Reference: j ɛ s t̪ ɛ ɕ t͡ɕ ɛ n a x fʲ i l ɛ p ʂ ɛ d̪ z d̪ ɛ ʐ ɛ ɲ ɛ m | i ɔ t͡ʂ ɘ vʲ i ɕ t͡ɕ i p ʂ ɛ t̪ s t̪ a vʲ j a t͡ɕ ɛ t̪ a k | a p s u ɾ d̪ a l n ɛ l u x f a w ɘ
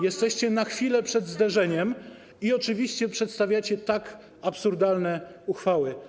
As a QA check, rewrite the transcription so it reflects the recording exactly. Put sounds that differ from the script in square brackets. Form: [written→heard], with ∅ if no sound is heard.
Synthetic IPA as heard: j ɛ s t̪ ɛ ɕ t͡ɕ ɛ n a x fʲ i l ɛ p ʂ ɛ d̪ z d̪ ɛ ʐ ɛ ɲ ɛ m | i ɔ t͡ʂ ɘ vʲ i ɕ t͡ɕ [i→ɛ] p ʂ ɛ t̪ s t̪ a vʲ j a t͡ɕ ɛ t̪ a k | a p s u ɾ d̪ a l n ɛ [l→∅] u x f a w ɘ